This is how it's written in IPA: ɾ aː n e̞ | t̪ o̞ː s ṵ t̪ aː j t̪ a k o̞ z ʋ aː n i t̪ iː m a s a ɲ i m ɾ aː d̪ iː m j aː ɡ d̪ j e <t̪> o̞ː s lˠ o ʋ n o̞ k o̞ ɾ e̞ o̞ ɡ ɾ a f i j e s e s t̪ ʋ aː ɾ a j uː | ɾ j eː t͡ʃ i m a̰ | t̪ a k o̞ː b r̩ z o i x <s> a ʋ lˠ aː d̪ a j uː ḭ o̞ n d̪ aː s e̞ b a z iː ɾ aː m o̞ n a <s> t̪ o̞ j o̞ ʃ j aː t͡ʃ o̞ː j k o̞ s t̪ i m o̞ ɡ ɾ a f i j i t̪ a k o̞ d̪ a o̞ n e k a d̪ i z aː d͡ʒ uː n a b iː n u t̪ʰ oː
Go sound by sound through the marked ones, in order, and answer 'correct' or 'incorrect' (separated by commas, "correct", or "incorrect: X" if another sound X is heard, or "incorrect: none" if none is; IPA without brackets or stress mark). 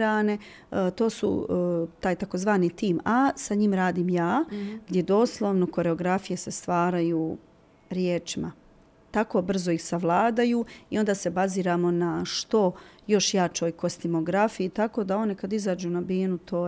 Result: incorrect: d̪, correct, incorrect: ʃ